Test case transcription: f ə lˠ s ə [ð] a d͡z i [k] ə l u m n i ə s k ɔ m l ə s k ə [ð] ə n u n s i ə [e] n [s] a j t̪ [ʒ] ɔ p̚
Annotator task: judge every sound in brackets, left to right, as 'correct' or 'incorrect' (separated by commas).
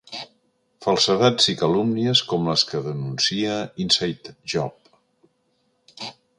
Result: correct, correct, correct, incorrect, correct, correct